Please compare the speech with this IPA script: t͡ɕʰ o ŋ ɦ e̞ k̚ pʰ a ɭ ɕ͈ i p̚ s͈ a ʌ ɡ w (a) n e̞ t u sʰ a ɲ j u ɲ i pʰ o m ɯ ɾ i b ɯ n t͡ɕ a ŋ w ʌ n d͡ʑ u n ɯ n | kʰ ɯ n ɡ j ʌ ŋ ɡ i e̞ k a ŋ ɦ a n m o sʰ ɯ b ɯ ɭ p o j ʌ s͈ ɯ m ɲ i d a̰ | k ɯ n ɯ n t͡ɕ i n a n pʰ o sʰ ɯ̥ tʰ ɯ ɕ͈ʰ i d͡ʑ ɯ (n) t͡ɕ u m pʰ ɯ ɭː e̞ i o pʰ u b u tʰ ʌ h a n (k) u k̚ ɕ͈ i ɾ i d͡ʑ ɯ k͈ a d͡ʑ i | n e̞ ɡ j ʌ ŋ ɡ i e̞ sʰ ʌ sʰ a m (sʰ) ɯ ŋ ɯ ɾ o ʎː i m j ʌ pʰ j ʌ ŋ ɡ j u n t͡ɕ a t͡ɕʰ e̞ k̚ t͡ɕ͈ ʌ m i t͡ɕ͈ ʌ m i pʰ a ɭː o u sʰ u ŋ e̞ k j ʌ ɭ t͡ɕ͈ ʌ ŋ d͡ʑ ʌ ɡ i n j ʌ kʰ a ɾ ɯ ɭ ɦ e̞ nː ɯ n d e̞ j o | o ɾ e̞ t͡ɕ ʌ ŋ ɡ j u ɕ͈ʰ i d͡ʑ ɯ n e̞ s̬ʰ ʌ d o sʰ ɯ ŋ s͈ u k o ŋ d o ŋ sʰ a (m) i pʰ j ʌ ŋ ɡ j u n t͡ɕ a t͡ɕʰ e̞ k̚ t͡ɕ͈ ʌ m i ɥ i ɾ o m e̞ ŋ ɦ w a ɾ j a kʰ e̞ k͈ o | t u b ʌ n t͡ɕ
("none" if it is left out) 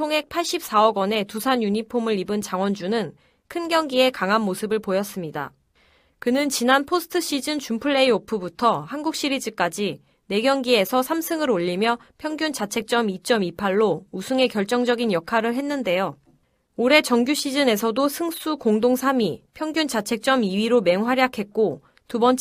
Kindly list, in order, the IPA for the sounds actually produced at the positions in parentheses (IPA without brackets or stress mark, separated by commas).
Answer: ʌ, n, ɡ, sʰ, m